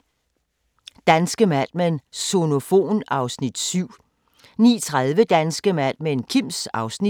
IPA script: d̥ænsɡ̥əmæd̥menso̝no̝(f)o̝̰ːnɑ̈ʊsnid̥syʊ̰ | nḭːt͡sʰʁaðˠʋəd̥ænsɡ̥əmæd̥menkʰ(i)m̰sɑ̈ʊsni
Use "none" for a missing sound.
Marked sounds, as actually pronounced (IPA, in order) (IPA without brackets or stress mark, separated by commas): f, i